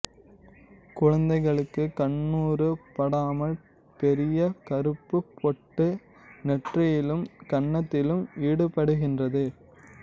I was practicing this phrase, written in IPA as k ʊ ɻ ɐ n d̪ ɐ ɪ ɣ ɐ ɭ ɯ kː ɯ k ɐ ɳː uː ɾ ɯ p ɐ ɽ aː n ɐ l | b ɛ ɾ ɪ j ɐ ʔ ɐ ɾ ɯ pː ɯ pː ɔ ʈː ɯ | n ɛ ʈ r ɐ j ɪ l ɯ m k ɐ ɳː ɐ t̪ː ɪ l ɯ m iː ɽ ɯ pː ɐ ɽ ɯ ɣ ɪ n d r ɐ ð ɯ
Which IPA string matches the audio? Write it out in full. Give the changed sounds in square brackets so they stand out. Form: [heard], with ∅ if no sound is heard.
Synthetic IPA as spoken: k ʊ ɻ ɐ n d̪ ɐ ɪ ɣ ɐ ɭ ɯ kː ɯ k ɐ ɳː uː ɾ ɯ p ɐ ɽ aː [m] ɐ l | [p] ɛ ɾ ɪ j ɐ [k] ɐ ɾ ɯ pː ɯ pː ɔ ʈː ɯ | n ɛ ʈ r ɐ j ɪ l ɯ m k ɐ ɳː ɐ t̪ː ɪ l ɯ m iː ɽ ɯ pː ɐ ɽ ɯ ɣ ɪ n d r ɐ ð ɯ

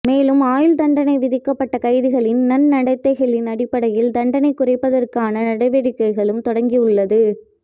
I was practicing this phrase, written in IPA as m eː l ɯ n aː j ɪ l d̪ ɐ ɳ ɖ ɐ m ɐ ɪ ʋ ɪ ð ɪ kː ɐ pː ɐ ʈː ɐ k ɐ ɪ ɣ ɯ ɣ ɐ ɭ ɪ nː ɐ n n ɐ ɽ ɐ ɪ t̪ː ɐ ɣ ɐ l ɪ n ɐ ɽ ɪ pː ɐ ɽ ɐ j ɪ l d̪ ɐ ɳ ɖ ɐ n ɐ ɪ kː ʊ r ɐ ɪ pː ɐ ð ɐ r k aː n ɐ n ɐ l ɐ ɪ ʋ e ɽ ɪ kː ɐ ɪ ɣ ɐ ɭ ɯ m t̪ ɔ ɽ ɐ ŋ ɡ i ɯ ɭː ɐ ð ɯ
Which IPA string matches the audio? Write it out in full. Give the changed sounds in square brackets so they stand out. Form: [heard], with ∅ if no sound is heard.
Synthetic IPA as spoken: m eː l ɯ [m] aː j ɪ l d̪ ɐ ɳ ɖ ɐ [n] ɐ ɪ ʋ ɪ ð ɪ kː ɐ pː ɐ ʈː ɐ k ɐ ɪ [ð] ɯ ɣ ɐ ɭ ɪ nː ɐ n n ɐ ɽ ɐ ɪ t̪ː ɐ ɣ ɐ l ɪ n ɐ ɽ ɪ pː ɐ ɽ ɐ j ɪ l d̪ ɐ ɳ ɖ ɐ n ɐ ɪ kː ʊ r ɐ ɪ pː ɐ ð ɐ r k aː n ɐ n ɐ [ɽ] ɐ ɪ ʋ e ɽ ɪ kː ɐ ɪ ɣ ɐ ɭ ɯ m t̪ ɔ ɽ ɐ ŋ ɡ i ɯ ɭː ɐ ð ɯ

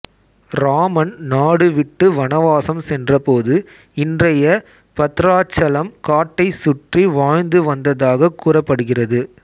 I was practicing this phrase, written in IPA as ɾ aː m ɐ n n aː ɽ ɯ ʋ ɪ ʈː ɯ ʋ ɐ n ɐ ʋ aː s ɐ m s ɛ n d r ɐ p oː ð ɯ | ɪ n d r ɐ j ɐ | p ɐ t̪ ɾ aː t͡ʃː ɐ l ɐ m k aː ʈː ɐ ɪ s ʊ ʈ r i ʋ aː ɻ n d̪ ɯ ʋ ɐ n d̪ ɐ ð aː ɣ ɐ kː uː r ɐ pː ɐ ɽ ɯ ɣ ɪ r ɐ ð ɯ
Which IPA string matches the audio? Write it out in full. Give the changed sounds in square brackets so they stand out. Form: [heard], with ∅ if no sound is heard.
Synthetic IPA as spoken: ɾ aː m ɐ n n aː ɽ ɯ ʋ ɪ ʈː ɯ ʋ ɐ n ɐ ʋ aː s ɐ m s ɛ n d r ɐ p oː ð ɯ | ɪ n d r ɐ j ɐ | p ɐ t̪ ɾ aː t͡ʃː ɐ l ɐ m k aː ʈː ɐ ɪ s ʊ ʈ r i ʋ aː ɻ n d̪ ɯ ʋ ɐ n d̪ ɐ ð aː ɣ ɐ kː uː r ɐ pː ɐ ɽ ɯ ɣ ɪ r ɐ ð ɯ

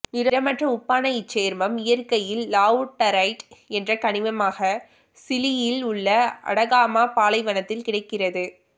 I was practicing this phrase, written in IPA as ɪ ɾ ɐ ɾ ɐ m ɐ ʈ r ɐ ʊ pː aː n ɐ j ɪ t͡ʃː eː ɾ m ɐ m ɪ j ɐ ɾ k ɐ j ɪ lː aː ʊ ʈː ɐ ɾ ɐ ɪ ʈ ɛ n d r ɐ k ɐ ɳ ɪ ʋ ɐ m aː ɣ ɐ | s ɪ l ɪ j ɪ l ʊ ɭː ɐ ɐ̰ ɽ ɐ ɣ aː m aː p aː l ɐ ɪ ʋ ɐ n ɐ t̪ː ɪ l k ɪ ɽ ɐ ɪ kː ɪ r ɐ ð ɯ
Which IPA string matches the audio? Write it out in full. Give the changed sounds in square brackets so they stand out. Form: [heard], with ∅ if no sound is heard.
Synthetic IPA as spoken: ɪ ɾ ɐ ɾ ɐ m ɐ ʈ r ɐ ʊ pː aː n ɐ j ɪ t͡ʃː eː ɾ m ɐ m ɪ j ɐ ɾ k ɐ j ɪ lː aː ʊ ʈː ɐ ɾ ɐ ɪ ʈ ɛ n d r ɐ k ɐ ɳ ɪ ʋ ɐ m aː ɣ ɐ | s ɪ l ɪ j ɪ l ʊ ɭː ɐ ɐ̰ ɽ ɐ ɣ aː m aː p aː l ɐ ɪ ʋ ɐ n ɐ t̪ː ɪ l k ɪ ɽ ɐ ɪ kː ɪ r ɐ ð ɯ

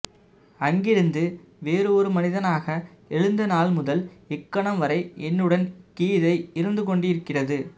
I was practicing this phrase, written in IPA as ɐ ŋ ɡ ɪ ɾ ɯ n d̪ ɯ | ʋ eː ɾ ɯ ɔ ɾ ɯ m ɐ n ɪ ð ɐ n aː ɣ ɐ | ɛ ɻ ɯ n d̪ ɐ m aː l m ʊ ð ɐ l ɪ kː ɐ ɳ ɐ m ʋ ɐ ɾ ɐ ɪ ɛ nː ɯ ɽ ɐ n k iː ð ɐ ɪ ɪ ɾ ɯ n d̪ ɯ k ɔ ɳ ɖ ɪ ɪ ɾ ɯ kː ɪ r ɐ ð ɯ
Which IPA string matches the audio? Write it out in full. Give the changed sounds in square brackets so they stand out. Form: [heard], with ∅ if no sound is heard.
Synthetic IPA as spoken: ɐ ŋ ɡ ɪ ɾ ɯ n d̪ ɯ | ʋ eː ɾ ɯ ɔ ɾ ɯ m ɐ n ɪ ð ɐ n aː ɣ ɐ | ɛ ɻ ɯ n d̪ ɐ [n] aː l m ʊ ð ɐ l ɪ kː ɐ ɳ ɐ m ʋ ɐ ɾ ɐ ɪ ɛ nː ɯ ɽ ɐ n k iː ð ɐ ɪ ɪ ɾ ɯ n d̪ ɯ k ɔ ɳ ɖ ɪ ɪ ɾ ɯ kː ɪ r ɐ ð ɯ

